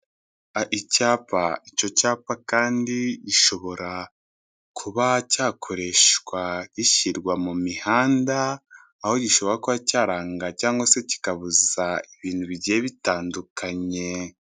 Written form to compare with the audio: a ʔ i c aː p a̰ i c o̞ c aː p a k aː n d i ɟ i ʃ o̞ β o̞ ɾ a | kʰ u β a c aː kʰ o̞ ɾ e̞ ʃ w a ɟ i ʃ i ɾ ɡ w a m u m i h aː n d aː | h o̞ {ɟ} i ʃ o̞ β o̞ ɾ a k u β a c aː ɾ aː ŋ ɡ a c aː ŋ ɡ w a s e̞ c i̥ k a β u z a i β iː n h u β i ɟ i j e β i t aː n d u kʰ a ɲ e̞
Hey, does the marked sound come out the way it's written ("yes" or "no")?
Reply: yes